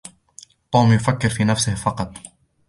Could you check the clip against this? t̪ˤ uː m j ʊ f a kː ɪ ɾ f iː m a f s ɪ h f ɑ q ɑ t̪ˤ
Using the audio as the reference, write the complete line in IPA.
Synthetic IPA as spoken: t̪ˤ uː m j ʊ f a kː ɪ ɾ f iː n a f s ɪ h f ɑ q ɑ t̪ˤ

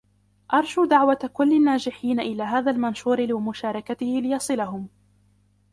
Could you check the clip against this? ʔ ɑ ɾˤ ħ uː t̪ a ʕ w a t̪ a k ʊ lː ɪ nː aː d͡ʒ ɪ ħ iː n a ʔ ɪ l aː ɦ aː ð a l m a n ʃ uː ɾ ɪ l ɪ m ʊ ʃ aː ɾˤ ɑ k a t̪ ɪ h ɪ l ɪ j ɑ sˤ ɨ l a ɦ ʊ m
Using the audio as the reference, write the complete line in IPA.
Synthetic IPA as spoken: ʔ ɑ ɾˤ ʃ uː d̪ a ʕ w a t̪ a k ʊ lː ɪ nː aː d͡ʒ ɪ ħ iː n a ʔ ɪ l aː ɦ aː ð a l m a n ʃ uː ɾ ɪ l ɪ m ʊ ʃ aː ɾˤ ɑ k a t̪ ɪ h ɪ l ɪ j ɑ sˤ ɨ l a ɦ ʊ m

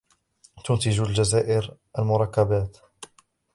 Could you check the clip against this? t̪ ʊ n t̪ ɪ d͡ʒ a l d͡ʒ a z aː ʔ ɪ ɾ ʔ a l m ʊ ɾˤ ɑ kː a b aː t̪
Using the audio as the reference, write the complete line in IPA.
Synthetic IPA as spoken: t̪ ʊ n t̪ ɪ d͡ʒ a l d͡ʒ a z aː ʔ ɪ ɾ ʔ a l m ʊ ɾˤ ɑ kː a b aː t̪

